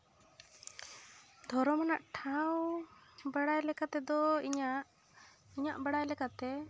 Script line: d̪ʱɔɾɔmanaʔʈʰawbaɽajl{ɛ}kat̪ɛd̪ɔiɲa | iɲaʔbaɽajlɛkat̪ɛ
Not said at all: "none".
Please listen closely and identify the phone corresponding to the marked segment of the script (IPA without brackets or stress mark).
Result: ɛ